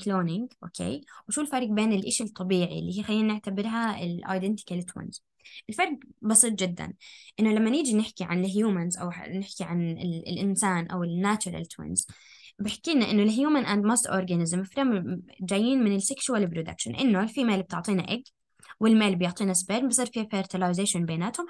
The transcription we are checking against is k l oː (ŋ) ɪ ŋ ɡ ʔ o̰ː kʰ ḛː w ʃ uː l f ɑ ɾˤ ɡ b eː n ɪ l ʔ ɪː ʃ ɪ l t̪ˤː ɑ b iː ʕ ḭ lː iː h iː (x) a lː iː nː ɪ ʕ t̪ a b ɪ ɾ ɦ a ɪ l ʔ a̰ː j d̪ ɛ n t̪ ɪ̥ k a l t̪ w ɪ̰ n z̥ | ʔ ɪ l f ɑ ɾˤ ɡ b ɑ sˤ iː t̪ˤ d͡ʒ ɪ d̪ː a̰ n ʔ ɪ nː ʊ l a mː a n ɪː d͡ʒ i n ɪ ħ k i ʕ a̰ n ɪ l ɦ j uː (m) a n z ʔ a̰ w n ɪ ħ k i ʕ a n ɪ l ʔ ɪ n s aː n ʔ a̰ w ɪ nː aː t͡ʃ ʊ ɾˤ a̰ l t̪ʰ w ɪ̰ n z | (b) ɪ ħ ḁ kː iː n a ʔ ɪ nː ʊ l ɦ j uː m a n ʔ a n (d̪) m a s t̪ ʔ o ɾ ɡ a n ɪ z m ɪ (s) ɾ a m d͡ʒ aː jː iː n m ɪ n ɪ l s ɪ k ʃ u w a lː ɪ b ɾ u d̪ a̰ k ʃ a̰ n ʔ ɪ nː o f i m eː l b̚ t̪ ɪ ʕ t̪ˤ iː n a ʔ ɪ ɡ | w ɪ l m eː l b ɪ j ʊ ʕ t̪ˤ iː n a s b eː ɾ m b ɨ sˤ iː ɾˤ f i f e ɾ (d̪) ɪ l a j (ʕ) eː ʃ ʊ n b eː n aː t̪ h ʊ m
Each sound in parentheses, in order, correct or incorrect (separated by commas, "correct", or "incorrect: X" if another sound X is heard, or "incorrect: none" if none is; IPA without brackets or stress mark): incorrect: n, correct, correct, correct, correct, incorrect: f, incorrect: t̪, incorrect: z